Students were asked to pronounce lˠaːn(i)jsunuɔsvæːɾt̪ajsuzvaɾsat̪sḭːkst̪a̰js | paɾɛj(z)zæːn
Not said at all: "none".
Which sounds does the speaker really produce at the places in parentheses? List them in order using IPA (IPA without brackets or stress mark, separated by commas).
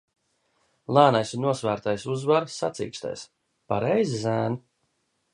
a, z